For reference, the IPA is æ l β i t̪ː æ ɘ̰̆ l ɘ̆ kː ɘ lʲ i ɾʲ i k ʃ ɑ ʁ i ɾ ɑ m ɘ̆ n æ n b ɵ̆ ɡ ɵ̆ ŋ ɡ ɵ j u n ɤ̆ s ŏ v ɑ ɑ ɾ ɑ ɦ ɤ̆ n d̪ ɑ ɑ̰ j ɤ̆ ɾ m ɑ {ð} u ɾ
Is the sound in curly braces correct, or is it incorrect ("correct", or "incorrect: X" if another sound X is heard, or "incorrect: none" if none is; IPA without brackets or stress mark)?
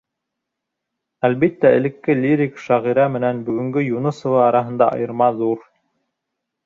correct